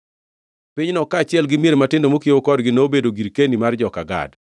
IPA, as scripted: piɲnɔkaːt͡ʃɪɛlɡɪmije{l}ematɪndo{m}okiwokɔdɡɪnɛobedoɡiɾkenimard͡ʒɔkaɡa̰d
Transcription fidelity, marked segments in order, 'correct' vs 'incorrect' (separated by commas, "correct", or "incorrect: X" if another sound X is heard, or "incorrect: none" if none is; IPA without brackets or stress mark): incorrect: ɾ, correct